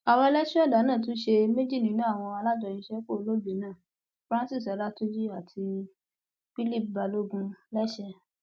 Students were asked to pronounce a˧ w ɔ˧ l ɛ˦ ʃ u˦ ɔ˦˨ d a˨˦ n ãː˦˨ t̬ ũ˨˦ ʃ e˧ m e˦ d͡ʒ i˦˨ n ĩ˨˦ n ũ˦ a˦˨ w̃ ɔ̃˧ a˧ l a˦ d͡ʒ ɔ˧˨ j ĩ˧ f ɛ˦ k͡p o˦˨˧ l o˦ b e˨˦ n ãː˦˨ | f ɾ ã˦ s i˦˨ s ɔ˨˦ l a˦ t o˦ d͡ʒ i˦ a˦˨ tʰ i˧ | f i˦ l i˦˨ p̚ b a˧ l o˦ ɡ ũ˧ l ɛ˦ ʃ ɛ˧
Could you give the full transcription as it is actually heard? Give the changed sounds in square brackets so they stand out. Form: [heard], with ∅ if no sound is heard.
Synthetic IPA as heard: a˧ w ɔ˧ l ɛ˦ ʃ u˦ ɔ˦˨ d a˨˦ n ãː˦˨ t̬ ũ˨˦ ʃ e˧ m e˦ d͡ʒ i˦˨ n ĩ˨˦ n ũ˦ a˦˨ w̃ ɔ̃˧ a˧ l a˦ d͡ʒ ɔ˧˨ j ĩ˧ [ʃ] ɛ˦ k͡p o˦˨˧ l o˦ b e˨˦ n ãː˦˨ | f ɾ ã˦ s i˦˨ s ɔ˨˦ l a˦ t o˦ d͡ʒ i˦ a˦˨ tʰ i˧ | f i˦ l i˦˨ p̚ b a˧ l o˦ ɡ ũ˧ l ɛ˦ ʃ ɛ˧